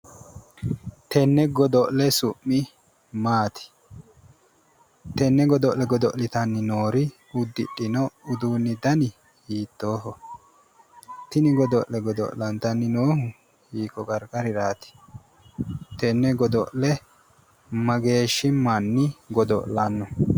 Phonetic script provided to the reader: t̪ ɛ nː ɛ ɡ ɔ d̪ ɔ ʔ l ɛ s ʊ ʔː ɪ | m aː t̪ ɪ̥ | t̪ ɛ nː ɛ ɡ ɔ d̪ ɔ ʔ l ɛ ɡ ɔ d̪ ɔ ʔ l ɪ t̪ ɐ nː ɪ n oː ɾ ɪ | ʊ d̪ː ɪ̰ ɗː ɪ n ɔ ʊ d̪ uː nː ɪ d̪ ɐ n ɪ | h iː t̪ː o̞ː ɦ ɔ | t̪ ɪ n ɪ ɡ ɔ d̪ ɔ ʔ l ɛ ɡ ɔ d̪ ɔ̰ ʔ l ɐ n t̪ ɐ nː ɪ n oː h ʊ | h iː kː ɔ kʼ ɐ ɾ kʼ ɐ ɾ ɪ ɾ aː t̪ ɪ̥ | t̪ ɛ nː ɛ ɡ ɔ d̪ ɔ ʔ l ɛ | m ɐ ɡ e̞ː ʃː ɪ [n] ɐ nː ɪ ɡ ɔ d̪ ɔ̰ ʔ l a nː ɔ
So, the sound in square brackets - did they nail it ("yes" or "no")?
no